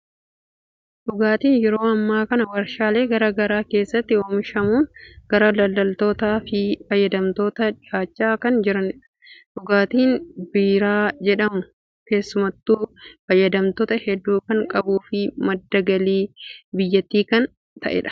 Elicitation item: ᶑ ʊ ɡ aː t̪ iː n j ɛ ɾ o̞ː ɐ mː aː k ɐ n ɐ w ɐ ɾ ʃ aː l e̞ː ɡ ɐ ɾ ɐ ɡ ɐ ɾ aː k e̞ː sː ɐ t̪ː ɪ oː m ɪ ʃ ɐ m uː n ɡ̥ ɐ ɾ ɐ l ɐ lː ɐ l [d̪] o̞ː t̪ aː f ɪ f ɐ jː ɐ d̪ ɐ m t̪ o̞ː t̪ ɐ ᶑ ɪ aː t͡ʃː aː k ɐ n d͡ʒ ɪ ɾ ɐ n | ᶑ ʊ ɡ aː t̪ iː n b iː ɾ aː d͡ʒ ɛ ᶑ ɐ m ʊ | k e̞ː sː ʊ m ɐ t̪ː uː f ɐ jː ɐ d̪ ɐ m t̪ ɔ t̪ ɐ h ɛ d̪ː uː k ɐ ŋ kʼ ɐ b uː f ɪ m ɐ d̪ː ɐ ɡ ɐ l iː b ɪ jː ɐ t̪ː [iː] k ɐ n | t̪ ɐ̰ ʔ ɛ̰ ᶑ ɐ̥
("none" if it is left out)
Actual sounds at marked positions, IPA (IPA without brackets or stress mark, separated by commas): t̪, iː